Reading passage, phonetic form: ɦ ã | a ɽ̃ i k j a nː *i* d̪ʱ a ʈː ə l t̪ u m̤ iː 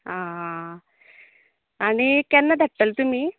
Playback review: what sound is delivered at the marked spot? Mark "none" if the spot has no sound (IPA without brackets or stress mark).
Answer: a